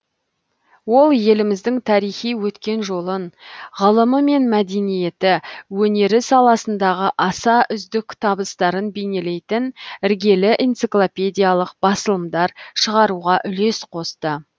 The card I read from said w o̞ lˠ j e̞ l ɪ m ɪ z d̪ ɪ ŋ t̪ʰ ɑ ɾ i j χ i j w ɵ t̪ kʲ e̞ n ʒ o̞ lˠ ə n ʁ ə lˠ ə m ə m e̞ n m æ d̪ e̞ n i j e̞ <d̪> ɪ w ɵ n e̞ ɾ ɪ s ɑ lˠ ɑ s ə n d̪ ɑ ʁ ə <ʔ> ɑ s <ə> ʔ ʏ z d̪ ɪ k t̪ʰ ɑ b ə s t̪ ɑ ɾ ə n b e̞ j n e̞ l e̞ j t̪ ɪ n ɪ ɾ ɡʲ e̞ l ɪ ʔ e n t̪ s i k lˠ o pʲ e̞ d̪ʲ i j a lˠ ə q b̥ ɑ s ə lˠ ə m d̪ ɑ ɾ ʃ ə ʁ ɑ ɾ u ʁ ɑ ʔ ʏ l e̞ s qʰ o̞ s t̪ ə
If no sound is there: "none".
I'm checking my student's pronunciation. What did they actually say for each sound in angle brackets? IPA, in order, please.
t̪, ʔ, ɑ

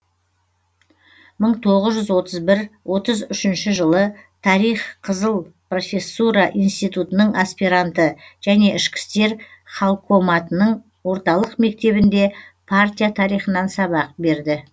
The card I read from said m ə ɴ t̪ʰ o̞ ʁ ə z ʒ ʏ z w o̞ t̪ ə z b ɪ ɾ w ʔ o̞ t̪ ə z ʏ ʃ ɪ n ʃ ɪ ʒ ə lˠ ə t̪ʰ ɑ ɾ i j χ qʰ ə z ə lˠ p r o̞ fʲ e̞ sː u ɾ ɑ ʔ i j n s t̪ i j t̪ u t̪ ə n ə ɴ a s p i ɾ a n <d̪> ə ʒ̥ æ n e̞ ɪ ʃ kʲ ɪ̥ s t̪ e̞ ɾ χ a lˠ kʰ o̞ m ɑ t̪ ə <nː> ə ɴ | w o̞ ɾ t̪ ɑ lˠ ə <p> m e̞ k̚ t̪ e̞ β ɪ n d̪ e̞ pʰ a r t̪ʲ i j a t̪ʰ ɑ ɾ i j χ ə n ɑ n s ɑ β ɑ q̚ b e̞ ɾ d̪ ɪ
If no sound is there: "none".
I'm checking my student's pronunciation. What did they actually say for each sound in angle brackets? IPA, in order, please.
t̪, n, q

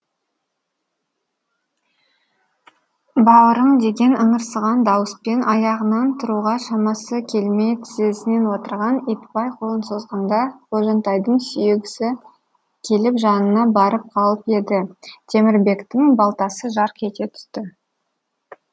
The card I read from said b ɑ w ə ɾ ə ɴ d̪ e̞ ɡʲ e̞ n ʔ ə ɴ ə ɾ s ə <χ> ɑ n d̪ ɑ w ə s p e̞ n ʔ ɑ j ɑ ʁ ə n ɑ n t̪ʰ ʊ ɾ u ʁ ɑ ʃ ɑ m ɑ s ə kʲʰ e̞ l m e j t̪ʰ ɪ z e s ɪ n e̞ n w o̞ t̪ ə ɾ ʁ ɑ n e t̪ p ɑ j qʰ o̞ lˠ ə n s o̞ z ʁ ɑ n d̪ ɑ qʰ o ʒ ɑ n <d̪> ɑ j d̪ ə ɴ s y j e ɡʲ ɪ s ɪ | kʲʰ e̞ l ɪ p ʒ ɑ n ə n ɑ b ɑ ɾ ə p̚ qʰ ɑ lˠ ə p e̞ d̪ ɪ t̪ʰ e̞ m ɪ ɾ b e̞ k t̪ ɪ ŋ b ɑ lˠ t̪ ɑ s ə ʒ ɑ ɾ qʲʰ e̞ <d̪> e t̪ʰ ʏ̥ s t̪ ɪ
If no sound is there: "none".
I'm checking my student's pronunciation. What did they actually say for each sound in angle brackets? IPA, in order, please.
ʁ, t̪, t̪

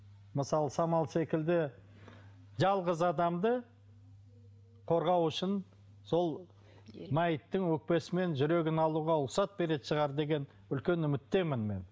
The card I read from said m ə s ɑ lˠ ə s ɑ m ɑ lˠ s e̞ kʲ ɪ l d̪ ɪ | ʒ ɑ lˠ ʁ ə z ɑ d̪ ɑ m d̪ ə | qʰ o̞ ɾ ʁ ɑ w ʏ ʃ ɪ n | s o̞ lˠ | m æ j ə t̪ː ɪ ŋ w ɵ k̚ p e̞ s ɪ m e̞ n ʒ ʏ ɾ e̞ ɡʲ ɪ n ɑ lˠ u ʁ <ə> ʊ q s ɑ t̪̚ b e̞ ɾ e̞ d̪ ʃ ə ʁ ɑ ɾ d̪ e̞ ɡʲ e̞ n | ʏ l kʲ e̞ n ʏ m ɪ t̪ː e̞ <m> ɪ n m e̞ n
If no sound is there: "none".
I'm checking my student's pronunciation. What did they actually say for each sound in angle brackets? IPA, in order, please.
ɑ, m

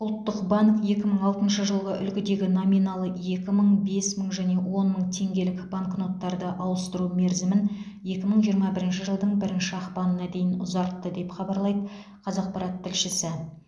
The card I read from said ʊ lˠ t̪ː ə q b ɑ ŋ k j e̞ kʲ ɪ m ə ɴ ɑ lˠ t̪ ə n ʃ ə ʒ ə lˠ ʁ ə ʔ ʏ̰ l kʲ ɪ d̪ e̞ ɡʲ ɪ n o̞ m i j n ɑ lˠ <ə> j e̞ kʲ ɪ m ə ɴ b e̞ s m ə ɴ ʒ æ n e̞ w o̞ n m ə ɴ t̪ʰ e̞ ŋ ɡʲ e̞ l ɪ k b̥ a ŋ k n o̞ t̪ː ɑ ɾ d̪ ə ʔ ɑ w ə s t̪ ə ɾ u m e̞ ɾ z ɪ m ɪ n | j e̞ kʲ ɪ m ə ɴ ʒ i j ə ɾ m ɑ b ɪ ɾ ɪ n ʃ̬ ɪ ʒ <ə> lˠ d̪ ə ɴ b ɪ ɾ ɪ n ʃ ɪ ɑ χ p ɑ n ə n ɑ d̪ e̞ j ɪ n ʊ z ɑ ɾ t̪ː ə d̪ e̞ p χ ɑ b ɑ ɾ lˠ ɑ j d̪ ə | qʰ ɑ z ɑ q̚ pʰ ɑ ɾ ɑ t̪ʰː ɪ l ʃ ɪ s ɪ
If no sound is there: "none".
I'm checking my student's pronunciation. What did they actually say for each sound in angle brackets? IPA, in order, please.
ə, ə

